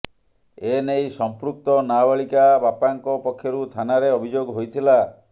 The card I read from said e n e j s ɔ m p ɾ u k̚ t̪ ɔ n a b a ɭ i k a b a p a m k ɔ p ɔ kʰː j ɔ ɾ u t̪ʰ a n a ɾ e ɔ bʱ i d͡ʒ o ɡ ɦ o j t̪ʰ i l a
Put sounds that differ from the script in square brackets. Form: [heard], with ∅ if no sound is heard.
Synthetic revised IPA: e n e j s ɔ m p ɾ u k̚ t̪ ɔ n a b a ɭ i k a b a p a [ŋ] k ɔ p ɔ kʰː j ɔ ɾ u t̪ʰ a n a ɾ e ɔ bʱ i d͡ʒ o ɡ ɦ o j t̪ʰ i l a